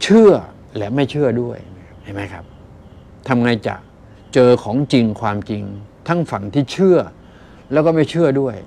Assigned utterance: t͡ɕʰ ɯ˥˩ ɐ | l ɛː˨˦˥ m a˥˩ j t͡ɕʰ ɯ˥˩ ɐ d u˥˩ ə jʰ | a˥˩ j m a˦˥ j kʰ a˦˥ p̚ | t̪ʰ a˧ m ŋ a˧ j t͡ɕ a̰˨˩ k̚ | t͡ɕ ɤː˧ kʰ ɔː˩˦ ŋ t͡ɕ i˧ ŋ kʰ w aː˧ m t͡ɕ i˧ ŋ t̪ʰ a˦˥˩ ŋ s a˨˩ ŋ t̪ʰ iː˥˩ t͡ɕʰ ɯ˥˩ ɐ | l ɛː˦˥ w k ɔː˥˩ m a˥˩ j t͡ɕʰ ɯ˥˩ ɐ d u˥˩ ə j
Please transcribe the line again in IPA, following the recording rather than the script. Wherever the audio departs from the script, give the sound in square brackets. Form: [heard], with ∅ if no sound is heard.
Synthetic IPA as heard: t͡ɕʰ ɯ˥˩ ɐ | l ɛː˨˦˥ m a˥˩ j t͡ɕʰ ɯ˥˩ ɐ d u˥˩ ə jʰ | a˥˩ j m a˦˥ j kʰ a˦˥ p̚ | t̪ʰ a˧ m ŋ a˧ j t͡ɕ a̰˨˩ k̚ | t͡ɕ ɤː˧ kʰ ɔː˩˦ ŋ t͡ɕ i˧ ŋ kʰ w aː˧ m t͡ɕ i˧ ŋ t̪ʰ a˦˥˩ ŋ [f] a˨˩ ŋ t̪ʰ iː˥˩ t͡ɕʰ ɯ˥˩ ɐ | l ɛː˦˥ w k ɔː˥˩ m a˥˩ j t͡ɕʰ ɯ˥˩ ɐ d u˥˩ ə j